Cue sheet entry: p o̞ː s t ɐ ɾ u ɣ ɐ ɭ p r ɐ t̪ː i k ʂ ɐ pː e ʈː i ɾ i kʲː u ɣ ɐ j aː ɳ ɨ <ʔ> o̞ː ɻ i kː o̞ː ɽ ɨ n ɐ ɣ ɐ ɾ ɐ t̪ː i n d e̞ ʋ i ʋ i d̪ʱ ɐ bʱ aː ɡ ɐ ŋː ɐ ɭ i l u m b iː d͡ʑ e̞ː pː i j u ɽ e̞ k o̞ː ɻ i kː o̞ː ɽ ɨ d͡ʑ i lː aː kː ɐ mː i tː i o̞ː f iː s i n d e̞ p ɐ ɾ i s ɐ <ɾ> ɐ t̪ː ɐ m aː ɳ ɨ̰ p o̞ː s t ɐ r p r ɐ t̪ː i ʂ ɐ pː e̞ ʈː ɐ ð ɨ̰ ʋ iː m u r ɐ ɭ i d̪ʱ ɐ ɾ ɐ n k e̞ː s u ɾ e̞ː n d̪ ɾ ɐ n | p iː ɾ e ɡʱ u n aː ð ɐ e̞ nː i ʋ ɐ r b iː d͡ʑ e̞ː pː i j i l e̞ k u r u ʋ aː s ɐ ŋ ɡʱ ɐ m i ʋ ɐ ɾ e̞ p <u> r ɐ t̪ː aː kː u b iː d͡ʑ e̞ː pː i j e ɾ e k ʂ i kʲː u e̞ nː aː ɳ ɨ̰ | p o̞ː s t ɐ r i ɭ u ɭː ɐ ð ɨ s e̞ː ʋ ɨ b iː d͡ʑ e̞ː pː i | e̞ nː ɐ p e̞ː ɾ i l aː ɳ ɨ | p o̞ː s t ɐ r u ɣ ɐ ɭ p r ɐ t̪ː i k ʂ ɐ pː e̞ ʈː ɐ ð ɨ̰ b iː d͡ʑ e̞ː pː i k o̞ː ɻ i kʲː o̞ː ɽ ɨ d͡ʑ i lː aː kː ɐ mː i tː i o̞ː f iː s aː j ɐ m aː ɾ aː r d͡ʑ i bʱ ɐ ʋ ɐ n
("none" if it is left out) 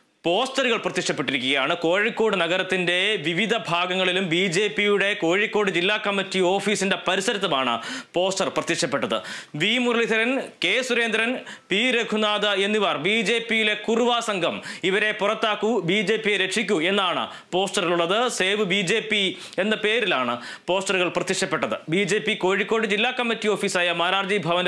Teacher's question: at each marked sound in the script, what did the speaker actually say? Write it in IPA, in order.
k, ɾ, u

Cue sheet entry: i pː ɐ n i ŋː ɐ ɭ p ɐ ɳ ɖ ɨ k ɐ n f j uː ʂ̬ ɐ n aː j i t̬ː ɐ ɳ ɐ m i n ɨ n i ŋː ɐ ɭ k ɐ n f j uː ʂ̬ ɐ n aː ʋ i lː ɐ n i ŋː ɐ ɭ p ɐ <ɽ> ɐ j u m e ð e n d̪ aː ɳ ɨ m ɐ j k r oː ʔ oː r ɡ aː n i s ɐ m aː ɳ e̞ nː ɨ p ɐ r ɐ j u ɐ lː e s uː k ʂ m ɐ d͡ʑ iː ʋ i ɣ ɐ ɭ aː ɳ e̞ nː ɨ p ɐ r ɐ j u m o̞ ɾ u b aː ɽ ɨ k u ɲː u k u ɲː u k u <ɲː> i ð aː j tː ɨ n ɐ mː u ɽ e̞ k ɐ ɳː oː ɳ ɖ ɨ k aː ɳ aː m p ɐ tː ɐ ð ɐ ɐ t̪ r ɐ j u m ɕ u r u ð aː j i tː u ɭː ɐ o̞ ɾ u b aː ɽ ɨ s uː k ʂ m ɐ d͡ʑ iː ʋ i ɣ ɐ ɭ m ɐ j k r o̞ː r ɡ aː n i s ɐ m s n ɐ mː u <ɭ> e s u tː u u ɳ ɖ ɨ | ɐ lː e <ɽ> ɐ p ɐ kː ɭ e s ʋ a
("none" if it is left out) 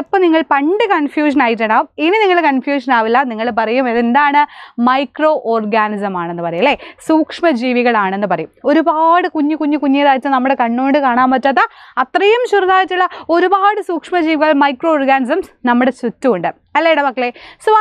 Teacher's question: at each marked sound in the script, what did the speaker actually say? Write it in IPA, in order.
r, ɲː, ɽ, ɽ

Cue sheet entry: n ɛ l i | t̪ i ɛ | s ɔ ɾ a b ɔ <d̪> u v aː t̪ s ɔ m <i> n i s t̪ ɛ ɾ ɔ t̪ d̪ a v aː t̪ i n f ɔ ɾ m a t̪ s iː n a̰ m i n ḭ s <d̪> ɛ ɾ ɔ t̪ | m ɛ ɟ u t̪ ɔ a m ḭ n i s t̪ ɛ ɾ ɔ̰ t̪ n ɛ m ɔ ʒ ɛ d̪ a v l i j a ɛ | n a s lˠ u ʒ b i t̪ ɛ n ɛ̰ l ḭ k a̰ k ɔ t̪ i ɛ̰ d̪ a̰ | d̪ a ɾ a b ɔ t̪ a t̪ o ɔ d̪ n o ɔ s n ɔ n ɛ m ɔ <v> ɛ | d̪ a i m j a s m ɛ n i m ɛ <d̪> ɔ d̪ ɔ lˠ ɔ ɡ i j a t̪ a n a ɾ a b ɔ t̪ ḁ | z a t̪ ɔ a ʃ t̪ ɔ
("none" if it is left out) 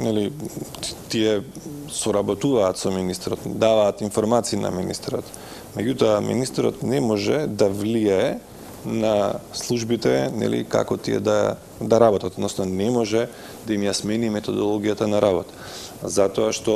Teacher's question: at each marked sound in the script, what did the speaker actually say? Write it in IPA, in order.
t̪, i, t̪, ʒ, t̪

